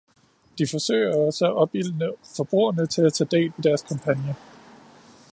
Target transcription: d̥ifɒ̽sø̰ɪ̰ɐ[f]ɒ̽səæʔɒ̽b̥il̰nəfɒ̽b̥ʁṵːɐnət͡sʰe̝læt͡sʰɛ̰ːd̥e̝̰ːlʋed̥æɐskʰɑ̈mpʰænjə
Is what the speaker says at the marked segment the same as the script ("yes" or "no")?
no